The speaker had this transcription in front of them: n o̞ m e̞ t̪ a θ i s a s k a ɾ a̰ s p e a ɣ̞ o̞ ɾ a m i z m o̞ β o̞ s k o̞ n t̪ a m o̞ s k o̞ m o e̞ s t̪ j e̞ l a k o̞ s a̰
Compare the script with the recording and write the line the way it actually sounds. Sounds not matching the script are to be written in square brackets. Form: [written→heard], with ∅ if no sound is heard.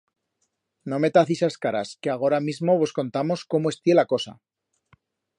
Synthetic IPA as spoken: n o̞ m e̞ t̪ a θ i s a s k a ɾ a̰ s [p→k] e a ɣ̞ o̞ ɾ a m i z m o̞ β o̞ s k o̞ n t̪ a m o̞ s k o̞ m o e̞ s t̪ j e̞ l a k o̞ s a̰